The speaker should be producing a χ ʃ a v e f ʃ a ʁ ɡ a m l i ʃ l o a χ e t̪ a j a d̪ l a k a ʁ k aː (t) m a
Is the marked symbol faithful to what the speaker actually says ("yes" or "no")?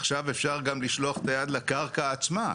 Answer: no